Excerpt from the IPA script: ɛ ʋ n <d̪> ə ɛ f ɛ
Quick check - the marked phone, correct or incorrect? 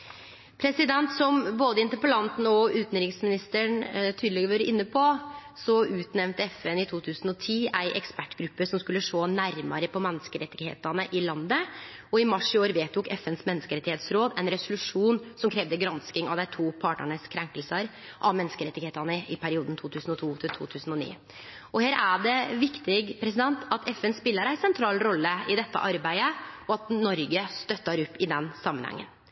incorrect